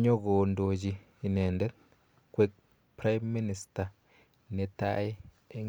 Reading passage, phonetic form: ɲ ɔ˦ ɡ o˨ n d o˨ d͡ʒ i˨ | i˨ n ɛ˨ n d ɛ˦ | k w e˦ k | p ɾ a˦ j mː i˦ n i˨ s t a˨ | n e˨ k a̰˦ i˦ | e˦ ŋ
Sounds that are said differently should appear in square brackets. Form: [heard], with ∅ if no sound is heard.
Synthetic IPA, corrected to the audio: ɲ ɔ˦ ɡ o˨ n d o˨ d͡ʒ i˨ | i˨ n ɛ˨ n d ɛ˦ | k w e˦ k | p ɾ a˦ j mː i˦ n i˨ s t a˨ | n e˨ [t] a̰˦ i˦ | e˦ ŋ

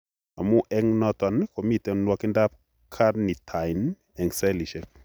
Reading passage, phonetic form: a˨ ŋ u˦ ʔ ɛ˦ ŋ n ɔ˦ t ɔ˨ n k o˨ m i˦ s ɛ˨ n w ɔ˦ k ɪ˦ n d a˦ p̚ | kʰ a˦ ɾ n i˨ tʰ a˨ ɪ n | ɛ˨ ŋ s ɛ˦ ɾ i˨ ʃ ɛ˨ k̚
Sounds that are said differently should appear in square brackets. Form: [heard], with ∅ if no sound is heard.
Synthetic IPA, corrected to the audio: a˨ [m] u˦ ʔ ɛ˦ ŋ n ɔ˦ t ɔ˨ n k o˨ m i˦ [t] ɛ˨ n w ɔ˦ k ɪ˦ n d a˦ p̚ | kʰ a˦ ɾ n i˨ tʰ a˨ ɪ n | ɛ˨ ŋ s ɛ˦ [l] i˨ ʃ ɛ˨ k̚

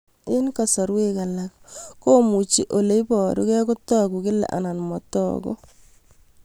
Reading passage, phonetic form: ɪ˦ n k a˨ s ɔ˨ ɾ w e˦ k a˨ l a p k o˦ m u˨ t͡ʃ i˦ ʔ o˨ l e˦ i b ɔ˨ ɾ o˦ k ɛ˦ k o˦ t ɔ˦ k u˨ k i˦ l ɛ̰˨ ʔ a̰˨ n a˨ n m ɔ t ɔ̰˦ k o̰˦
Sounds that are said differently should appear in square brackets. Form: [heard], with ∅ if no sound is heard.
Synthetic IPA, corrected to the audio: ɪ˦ n k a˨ s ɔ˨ ɾ w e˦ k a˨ l a [k] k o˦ m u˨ t͡ʃ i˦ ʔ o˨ l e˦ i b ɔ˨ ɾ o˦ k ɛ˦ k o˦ t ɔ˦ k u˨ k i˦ l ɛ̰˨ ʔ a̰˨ n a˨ n m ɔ t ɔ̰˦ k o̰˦

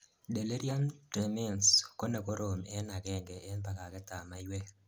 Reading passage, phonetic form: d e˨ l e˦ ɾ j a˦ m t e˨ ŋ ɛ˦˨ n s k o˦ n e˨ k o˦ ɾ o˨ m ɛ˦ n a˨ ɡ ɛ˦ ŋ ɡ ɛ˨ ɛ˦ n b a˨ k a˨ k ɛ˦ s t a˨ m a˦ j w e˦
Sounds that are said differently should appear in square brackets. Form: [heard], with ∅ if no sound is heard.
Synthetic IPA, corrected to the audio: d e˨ l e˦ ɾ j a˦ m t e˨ [m] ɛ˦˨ n s k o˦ n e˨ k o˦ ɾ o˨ m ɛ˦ n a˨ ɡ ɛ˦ ŋ ɡ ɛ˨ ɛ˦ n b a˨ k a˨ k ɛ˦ [∅] t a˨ m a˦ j w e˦

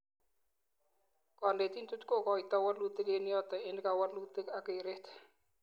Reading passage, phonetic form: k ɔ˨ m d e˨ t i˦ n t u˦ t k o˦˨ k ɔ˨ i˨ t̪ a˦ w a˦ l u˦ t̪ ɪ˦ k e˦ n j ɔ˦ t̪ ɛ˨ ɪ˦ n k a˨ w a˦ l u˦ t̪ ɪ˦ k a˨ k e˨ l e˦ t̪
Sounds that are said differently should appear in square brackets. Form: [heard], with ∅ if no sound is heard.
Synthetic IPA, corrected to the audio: k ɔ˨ [n] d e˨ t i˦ n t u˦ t k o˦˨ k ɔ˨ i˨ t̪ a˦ w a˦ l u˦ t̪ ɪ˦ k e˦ n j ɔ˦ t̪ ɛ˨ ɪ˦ n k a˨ w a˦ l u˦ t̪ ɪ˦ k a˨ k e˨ [ɾ] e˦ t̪

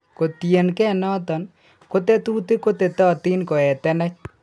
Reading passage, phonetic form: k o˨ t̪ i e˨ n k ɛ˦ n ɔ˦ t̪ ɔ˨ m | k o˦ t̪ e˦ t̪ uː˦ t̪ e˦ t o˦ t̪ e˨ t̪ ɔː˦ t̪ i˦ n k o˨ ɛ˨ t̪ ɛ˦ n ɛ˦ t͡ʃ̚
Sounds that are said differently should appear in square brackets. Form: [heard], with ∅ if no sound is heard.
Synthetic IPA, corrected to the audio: k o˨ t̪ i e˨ n k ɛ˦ n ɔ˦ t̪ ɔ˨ [n] | k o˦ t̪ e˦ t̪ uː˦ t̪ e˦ [k] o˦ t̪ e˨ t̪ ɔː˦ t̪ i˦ n k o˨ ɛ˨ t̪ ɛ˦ n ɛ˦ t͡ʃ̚

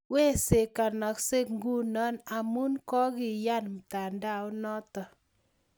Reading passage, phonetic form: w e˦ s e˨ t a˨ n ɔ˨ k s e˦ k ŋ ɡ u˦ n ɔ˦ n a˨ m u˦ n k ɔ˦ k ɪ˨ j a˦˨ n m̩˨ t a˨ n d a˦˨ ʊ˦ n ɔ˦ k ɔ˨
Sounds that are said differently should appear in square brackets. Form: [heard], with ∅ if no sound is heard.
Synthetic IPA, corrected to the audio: w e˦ s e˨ [k] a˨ n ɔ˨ k s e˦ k ŋ ɡ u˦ n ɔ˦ n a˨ m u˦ n k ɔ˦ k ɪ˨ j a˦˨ n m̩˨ t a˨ n d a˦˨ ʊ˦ n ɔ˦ [t] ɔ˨

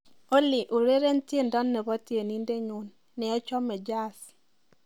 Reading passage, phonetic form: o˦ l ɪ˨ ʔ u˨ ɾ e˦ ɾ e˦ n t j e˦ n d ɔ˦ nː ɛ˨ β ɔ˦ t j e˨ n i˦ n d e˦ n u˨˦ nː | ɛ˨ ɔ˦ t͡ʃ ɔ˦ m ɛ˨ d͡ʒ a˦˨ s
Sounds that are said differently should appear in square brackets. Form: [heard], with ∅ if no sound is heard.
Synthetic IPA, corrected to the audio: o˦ l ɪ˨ ʔ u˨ ɾ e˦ ɾ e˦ n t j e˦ n d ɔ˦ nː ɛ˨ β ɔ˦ t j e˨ n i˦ n d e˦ [ɲ] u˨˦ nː | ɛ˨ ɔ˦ t͡ʃ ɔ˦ m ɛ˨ d͡ʒ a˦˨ s

